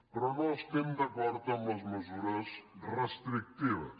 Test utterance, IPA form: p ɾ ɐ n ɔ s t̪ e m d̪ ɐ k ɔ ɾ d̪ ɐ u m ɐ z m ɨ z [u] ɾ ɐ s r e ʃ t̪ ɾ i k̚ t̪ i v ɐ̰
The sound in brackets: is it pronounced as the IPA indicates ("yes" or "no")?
yes